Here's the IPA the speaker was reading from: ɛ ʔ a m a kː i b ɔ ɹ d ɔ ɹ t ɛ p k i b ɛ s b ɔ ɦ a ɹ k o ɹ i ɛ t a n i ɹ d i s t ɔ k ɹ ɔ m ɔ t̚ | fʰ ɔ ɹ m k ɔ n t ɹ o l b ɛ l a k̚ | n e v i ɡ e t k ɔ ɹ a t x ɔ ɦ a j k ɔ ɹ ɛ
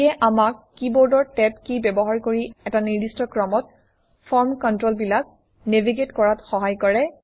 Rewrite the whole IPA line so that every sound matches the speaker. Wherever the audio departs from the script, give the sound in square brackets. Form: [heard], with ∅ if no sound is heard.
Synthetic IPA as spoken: ɛ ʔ a m a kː i b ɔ ɹ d ɔ ɹ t ɛ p k i b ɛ [∅] b ɔ ɦ a ɹ k o ɹ i ɛ t a n i ɹ d i s t ɔ k ɹ ɔ m ɔ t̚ | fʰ ɔ ɹ m k ɔ n t ɹ o l b [i] l a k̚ | n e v i ɡ e t k ɔ ɹ a t x ɔ ɦ a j k ɔ ɹ ɛ